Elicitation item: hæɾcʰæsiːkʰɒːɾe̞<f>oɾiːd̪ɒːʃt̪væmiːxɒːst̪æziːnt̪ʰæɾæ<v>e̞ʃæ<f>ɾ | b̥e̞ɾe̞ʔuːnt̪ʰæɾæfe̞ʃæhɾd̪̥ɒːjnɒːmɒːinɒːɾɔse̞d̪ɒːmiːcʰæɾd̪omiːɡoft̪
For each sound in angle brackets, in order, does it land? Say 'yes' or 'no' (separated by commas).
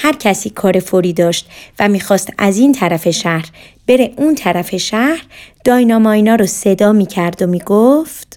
yes, no, no